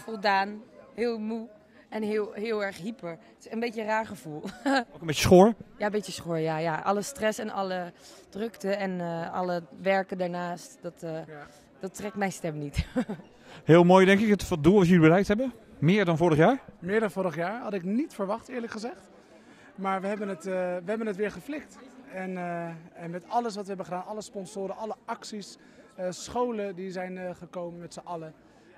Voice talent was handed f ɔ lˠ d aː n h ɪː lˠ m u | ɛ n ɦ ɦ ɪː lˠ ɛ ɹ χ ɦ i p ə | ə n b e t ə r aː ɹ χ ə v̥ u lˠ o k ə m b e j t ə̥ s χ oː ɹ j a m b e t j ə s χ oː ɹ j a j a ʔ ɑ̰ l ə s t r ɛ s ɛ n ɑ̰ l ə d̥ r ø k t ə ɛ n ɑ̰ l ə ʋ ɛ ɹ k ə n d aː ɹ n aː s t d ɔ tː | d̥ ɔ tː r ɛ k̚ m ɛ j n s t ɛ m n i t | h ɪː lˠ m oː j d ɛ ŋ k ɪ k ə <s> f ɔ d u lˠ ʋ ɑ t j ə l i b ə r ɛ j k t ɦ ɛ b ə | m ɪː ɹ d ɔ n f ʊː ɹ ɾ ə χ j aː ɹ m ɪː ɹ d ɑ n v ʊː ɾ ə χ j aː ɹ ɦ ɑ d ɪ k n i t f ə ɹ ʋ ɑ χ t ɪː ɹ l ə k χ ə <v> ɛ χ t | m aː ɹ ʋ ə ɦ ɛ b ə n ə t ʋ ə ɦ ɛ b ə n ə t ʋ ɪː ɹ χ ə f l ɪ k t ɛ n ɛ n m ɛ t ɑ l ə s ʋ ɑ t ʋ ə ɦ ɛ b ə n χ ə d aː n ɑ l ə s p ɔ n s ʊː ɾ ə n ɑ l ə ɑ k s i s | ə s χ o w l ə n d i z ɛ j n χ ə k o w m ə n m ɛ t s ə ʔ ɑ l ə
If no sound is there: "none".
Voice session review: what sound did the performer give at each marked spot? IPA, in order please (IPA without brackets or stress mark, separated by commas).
t, z